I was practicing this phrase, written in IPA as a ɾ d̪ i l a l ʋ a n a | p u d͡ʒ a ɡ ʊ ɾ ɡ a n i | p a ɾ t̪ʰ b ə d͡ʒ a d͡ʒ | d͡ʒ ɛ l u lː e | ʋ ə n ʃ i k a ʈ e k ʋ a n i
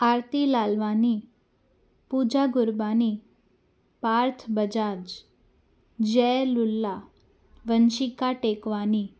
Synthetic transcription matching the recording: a ɾ t̪ i l a l ʋ a n i | p u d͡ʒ a ɡ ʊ ɾ b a n i | p a ɾ t̪ʰ b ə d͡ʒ a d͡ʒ | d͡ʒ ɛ l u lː a | ʋ ə n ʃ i k a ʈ e k ʋ a n i